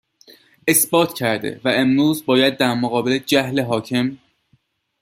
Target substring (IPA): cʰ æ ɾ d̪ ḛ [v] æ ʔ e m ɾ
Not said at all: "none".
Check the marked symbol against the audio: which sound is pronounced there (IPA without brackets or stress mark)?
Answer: v